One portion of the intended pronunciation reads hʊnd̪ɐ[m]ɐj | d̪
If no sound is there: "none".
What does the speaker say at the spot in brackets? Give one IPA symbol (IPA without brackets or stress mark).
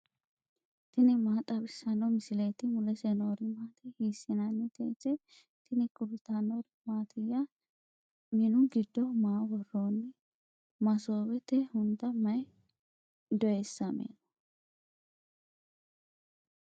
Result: m